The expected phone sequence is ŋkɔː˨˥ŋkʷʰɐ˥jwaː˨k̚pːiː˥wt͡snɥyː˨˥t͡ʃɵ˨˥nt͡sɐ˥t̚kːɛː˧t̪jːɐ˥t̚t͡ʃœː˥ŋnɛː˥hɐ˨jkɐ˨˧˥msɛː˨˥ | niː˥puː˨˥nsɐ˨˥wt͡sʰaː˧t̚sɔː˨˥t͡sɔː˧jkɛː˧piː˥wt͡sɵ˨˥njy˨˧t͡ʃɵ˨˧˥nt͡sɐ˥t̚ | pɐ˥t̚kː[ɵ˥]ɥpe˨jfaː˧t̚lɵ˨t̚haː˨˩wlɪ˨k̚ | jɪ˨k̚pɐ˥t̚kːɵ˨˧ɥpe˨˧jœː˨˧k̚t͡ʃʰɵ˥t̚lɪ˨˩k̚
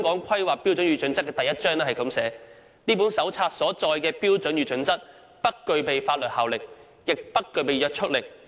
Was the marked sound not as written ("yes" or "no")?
yes